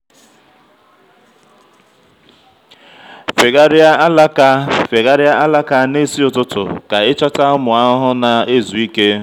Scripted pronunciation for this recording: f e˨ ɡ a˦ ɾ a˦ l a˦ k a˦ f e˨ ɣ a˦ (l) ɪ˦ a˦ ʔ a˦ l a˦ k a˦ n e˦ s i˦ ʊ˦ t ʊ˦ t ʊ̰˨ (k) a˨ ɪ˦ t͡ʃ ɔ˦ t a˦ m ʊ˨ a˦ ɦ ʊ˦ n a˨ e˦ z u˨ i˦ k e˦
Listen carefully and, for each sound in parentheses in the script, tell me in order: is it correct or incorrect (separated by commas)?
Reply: incorrect, correct